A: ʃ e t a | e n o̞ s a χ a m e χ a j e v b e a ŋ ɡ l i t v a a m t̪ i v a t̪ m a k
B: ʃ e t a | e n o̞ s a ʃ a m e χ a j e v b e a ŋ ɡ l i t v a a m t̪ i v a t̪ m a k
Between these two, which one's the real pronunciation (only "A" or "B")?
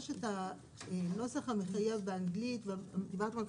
A